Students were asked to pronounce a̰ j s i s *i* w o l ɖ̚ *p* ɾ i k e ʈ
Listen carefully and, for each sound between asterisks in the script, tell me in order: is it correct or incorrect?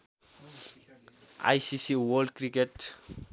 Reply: correct, incorrect

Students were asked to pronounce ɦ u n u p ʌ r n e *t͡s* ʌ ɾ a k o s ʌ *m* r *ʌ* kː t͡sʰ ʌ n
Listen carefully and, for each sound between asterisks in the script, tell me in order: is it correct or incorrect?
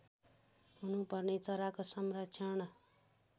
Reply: correct, correct, correct

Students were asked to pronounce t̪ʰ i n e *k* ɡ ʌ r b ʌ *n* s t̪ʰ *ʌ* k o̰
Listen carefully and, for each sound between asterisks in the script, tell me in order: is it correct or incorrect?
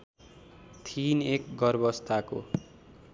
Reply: correct, incorrect, incorrect

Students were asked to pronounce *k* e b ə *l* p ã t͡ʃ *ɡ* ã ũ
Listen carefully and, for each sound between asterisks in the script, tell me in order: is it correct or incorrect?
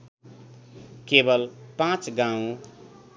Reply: correct, correct, correct

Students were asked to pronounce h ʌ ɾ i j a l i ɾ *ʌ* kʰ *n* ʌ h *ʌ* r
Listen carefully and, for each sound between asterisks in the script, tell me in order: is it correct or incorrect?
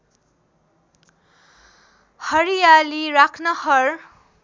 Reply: incorrect, correct, correct

